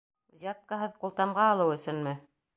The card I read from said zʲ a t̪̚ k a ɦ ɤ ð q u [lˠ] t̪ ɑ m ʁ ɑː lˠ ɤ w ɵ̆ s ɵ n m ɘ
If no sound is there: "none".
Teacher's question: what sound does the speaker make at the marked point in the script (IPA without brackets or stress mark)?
lˠ